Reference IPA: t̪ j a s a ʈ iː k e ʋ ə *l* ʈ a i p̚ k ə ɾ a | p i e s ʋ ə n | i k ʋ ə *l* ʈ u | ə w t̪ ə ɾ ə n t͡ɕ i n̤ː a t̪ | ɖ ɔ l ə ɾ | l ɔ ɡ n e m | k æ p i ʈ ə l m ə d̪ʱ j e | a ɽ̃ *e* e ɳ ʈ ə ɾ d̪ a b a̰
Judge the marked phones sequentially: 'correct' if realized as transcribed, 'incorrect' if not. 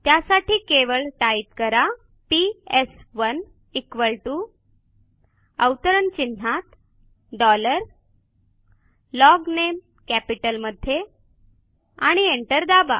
incorrect: ɭ, incorrect: ɭ, incorrect: i

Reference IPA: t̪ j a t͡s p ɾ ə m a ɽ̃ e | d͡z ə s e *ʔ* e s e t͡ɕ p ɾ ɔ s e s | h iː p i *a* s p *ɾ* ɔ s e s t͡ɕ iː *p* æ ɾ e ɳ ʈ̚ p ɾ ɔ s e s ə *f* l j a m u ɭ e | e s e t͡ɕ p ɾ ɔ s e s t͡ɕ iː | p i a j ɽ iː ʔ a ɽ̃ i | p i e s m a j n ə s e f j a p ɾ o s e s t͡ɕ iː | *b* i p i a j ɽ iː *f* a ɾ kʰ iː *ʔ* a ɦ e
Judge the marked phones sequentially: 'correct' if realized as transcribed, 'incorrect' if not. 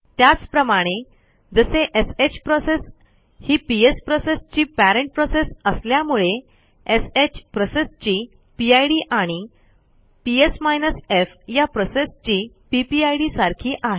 correct, incorrect: e, correct, correct, incorrect: s, incorrect: p, incorrect: s, correct

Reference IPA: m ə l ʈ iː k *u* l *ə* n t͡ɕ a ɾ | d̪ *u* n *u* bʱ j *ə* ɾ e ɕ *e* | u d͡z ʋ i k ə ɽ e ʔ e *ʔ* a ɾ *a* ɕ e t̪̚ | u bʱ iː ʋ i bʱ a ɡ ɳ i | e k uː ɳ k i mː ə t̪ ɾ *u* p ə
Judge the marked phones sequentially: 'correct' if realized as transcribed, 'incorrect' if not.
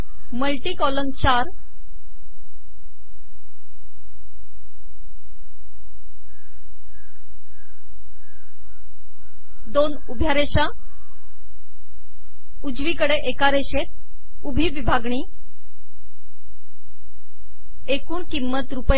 incorrect: ɔ, correct, incorrect: o, correct, incorrect: a, incorrect: a, incorrect: k, incorrect: e, correct

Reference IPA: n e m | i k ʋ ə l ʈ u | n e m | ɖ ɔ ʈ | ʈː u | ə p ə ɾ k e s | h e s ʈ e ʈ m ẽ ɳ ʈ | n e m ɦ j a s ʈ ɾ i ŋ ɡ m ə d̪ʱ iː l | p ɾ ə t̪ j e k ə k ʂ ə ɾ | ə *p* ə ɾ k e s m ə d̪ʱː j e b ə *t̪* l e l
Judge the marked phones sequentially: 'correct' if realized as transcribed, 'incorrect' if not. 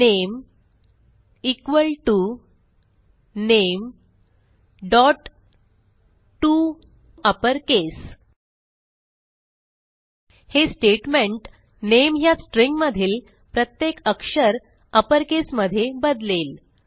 correct, incorrect: d̪

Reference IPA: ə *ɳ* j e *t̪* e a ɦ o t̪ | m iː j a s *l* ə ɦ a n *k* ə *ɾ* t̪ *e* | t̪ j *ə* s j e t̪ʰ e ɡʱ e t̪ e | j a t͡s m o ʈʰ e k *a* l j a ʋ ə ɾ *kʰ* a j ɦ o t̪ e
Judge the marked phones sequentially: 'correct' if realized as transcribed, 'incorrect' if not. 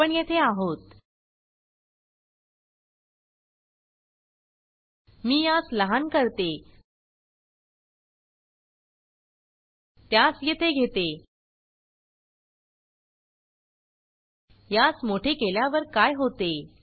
correct, incorrect: t̪ʰ, correct, correct, correct, correct, incorrect: a, incorrect: e, incorrect: k

